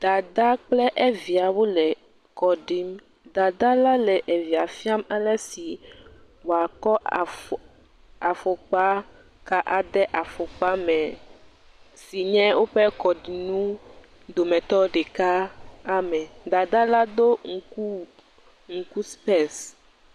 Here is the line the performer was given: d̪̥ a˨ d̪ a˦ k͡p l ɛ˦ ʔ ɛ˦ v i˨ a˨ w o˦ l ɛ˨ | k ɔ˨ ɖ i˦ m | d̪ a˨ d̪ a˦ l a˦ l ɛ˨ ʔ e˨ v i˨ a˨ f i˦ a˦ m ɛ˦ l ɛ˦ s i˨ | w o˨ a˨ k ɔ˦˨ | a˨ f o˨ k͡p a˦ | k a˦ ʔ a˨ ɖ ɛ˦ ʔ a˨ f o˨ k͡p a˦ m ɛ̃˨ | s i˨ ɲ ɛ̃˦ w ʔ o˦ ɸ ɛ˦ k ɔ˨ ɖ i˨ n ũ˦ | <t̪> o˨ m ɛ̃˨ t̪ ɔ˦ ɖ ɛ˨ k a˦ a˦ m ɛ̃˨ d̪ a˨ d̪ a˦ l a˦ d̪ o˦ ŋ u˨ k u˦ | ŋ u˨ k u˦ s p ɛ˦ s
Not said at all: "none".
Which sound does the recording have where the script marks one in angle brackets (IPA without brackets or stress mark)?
d̪